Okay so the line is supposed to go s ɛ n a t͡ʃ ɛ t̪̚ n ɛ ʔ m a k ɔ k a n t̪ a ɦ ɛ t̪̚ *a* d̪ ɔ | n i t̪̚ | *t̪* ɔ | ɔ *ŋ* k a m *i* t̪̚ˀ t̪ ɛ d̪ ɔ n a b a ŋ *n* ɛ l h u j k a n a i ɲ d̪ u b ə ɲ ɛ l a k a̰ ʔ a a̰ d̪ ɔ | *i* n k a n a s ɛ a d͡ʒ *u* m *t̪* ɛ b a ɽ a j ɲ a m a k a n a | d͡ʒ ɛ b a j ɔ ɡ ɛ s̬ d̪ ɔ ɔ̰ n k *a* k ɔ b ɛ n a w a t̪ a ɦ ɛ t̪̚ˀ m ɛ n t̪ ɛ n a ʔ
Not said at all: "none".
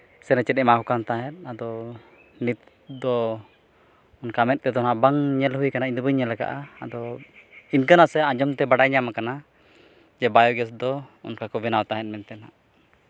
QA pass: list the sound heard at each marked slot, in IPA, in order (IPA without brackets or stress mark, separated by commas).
a, d̪, n, ɛ, ɲ, i, ɔ, t̪, a